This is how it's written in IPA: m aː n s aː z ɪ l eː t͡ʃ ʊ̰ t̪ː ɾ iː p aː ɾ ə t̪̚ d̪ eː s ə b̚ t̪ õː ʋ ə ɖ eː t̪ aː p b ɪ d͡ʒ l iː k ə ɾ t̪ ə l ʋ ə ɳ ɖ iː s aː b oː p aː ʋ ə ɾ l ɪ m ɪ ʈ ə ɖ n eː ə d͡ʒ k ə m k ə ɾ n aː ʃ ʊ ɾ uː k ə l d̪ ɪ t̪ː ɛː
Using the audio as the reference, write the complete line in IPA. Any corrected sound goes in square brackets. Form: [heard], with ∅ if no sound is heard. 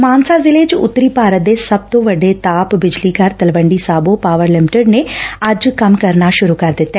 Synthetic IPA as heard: m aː n s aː z ɪ l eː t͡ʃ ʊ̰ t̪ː ɾ iː p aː ɾ ə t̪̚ d̪ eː s ə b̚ t̪ õː ʋ ə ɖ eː t̪ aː p b ɪ d͡ʒ l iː k ə ɾ t̪ ə l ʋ ə ɳ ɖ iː s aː b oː p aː ʋ ə ɾ l ɪ m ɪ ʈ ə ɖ n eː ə d͡ʒ k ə m k ə ɾ n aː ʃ ʊ ɾ uː k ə [ɾ] d̪ ɪ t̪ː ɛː